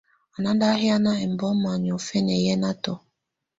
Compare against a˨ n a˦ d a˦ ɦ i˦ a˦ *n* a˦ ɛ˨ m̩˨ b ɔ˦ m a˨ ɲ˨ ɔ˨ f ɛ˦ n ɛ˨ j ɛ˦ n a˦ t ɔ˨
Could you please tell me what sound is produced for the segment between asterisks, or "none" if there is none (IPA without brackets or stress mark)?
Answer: n